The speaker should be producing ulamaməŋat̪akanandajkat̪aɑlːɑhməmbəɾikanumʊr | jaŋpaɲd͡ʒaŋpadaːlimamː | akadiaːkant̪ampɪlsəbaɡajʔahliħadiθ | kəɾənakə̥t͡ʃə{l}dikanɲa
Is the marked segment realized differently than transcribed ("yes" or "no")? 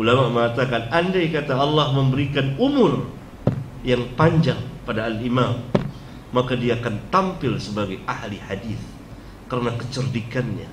yes